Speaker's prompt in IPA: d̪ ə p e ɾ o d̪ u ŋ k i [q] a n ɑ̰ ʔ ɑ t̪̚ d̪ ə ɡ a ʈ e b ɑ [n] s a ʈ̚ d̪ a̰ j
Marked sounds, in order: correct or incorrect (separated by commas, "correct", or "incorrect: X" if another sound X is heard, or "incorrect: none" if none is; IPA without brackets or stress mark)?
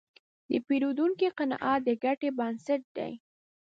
correct, correct